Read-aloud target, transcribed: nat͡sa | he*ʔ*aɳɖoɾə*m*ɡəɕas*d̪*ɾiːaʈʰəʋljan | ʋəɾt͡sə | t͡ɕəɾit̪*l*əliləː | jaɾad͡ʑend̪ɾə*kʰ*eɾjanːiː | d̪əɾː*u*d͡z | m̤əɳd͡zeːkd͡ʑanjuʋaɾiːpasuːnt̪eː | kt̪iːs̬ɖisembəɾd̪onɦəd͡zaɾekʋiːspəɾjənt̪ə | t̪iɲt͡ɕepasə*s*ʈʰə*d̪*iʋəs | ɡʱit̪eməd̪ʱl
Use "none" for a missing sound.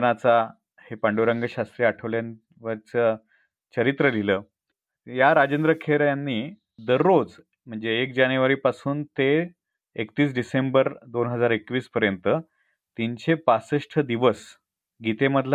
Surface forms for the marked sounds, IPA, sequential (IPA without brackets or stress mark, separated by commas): p, ŋ, t̪, ɾ, kʰ, o, ʂ, d̪